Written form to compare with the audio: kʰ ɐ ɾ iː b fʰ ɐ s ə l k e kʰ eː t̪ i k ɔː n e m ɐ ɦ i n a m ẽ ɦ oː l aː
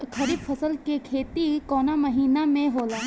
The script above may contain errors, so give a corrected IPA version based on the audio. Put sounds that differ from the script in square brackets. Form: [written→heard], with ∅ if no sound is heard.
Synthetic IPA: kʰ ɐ ɾ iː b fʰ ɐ s ə l k e kʰ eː t̪ i k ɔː n [e→a] m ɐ ɦ [i→iː] n a m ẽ ɦ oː l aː

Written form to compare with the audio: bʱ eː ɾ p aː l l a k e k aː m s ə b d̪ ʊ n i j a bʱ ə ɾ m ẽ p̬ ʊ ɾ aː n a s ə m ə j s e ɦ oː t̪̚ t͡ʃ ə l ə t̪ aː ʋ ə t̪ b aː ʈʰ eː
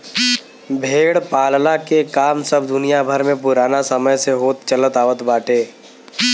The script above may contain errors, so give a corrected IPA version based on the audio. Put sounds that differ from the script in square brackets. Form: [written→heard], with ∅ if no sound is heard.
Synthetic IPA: bʱ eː [ɾ→ɽ] p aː l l a k e k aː m s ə b d̪ ʊ n i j a bʱ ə ɾ m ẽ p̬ ʊ ɾ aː n a s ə m ə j s e ɦ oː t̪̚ t͡ʃ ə l ə t̪ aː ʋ ə t̪ b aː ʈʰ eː

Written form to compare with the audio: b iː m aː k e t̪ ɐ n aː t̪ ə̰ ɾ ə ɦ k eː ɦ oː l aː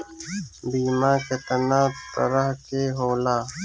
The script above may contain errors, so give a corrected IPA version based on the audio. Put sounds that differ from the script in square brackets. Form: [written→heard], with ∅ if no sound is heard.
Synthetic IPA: b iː m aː k e t̪ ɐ n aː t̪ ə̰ ɾ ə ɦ k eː ɦ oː l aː

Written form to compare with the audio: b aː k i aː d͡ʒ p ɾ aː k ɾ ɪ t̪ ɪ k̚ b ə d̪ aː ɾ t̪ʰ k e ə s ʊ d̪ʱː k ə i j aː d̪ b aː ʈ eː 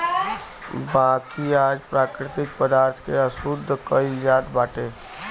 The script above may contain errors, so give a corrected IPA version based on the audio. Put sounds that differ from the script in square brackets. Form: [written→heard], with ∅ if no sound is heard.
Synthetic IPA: b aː k i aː d͡ʒ p ɾ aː k ɾ ɪ t̪ ɪ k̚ [b→p] ə d̪ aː ɾ t̪ʰ k e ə s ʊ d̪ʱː k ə i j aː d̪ b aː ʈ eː

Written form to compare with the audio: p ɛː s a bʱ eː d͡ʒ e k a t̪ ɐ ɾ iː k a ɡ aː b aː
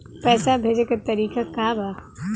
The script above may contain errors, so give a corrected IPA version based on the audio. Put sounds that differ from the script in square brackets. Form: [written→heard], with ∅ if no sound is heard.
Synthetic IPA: p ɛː s a bʱ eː d͡ʒ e k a t̪ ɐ ɾ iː k a [ɡ→k] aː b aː

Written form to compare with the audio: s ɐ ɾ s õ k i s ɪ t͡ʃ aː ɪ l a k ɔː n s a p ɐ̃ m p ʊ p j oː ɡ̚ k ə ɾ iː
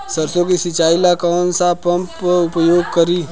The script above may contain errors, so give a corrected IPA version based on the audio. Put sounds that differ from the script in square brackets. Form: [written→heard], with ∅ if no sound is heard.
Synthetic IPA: s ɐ ɾ s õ k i s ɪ t͡ʃ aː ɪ l a k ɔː n s a p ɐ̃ m p ʊ p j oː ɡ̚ k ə ɾ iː

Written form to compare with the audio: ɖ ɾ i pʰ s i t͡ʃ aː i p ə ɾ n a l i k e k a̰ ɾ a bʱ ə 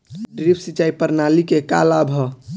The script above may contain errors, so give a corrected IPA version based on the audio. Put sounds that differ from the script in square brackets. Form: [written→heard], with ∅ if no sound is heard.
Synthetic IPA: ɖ ɾ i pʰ s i t͡ʃ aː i p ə ɾ n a l i k e k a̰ [ɾ→l] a bʱ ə

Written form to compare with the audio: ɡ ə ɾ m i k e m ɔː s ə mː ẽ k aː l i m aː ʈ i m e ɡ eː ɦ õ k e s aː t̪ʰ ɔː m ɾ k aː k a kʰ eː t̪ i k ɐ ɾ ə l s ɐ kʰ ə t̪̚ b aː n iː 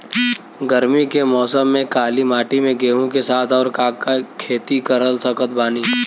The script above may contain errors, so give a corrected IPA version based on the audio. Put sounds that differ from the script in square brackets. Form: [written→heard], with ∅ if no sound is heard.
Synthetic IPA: ɡ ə ɾ m i k e m ɔː s ə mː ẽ k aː l i m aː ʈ i m [e→ẽ] ɡ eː ɦ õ k e s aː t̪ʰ ɔː [m→∅] ɾ k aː k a kʰ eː t̪ i k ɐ ɾ ə l s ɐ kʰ ə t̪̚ b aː n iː

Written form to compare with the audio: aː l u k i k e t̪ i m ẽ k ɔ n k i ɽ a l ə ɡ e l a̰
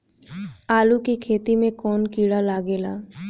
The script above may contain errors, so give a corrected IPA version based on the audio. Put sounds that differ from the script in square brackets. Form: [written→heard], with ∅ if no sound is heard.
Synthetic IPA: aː l u k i [k→kʰ] e t̪ i m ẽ k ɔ n k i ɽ a l [ə→a] ɡ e l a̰

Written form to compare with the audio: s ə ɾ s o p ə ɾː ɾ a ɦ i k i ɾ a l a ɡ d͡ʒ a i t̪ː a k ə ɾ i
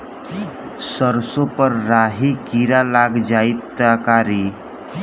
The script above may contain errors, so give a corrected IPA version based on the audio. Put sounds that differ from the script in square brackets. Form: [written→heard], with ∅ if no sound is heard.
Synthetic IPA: s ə ɾ s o p ə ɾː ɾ a ɦ i k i ɾ a l a ɡ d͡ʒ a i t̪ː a k [ə→a] ɾ i

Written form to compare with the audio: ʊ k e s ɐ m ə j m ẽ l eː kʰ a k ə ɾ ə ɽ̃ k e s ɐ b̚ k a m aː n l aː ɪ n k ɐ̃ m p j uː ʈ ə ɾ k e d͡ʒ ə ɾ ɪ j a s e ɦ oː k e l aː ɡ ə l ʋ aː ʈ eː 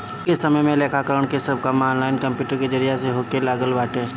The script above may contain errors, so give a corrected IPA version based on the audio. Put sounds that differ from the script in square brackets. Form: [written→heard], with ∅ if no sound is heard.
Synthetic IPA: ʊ k e s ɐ m ə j m ẽ l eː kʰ a k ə ɾ ə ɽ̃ k e s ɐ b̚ k a m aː n l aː ɪ n k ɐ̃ m p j uː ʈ ə ɾ k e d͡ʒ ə ɾ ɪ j a s e ɦ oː k e l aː ɡ ə l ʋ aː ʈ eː

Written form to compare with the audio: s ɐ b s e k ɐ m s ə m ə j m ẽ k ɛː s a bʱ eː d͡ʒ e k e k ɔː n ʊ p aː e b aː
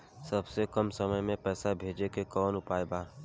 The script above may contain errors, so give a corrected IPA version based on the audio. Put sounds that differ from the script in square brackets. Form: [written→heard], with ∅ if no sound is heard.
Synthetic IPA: s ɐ b s e k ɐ m s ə m ə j m ẽ [k→p] ɛː s a bʱ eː d͡ʒ e k e k ɔː n ʊ p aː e b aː

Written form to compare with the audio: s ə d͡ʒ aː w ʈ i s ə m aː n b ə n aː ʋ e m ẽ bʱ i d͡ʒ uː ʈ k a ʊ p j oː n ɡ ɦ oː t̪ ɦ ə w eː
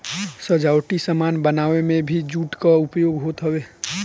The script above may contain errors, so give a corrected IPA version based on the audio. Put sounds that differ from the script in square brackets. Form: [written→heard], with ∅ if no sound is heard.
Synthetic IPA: s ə d͡ʒ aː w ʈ i s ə m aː n b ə n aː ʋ e m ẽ bʱ i d͡ʒ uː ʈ k a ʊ p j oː [n→∅] ɡ ɦ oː t̪ ɦ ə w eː

